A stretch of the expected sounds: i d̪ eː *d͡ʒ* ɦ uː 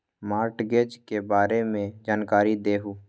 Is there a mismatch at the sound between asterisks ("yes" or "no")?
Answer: yes